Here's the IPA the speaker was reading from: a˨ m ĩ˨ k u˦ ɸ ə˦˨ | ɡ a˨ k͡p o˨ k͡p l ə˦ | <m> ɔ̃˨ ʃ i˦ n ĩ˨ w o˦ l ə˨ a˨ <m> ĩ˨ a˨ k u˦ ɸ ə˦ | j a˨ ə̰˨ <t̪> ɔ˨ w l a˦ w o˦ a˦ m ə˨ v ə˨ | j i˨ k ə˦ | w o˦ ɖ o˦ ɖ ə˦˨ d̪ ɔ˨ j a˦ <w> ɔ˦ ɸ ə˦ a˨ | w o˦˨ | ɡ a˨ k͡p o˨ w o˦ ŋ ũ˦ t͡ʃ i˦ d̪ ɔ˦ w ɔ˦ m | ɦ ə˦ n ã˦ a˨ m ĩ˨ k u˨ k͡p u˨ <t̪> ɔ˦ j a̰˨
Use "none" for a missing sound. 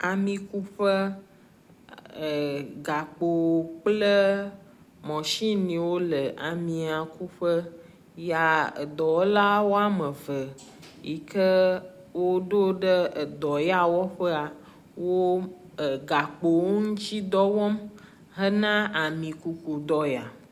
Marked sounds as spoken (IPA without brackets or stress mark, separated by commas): m, m, d̪, w, d̪